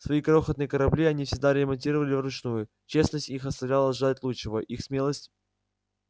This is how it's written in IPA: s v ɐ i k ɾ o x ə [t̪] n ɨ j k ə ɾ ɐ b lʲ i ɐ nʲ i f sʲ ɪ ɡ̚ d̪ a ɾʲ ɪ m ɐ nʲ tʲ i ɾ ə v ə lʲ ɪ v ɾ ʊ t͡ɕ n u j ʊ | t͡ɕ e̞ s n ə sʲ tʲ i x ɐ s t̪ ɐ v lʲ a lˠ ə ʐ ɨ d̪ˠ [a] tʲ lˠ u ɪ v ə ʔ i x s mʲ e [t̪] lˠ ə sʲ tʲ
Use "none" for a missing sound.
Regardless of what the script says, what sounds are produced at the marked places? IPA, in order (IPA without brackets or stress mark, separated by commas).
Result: t̪, a, none